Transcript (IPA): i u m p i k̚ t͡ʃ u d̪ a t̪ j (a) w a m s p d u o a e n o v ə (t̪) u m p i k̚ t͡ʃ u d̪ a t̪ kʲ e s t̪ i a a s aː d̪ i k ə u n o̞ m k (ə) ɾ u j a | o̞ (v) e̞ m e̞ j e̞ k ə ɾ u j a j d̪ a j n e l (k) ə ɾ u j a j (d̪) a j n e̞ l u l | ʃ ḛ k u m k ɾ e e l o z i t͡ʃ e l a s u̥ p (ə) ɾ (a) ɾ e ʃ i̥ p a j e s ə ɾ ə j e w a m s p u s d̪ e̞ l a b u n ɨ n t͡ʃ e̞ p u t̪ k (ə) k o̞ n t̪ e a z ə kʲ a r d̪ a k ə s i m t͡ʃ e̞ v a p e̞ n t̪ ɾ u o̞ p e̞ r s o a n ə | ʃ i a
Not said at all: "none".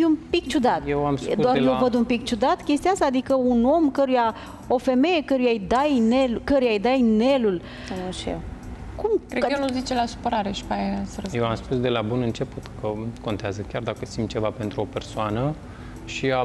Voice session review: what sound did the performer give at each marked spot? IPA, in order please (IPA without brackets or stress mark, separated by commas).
e, d̪, ə, f, k, d̪, ə, a, ə